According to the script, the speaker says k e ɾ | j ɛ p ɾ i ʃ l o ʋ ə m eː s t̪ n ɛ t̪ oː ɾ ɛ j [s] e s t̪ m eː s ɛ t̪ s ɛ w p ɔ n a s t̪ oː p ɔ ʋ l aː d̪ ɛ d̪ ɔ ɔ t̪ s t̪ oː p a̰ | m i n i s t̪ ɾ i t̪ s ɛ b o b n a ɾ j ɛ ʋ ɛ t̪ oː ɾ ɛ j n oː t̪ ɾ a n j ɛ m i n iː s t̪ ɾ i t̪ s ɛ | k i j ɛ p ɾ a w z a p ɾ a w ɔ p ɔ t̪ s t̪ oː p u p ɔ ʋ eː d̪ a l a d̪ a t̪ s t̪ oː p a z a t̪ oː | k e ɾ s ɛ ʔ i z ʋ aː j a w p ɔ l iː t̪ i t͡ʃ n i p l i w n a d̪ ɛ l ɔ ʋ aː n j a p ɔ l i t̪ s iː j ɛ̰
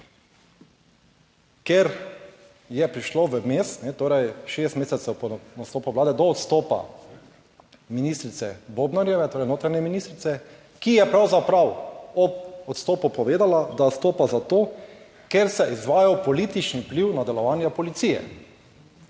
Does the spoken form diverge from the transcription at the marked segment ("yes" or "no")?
yes